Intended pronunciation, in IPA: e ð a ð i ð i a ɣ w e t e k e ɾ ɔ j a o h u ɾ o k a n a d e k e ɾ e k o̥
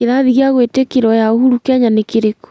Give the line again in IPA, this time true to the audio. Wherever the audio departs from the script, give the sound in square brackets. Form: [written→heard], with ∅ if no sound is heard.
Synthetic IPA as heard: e ð a ð i [ð→ɣ] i a ɣ w e t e k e ɾ ɔ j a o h u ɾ [o→u] k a [n→ɲ] a [d→n] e k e ɾ e k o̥